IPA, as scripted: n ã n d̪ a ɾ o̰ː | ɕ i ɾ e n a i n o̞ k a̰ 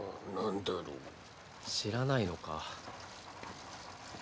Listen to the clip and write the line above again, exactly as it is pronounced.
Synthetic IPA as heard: n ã n d̪ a ɾ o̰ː | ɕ i ɾ a n a i n o̞ k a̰